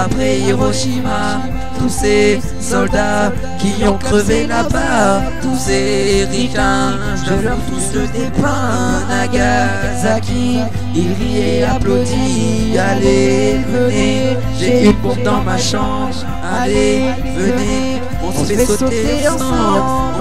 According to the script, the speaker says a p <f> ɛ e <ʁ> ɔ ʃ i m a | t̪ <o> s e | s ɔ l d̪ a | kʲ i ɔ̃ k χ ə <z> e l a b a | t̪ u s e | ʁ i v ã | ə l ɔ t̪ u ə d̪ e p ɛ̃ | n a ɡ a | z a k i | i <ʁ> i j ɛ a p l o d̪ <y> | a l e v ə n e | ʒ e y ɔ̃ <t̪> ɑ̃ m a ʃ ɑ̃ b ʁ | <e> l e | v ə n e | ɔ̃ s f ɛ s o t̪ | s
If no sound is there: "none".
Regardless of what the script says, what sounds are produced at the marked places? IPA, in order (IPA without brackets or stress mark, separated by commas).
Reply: χ, ʁ, u, v, ʁ, i, d̪, a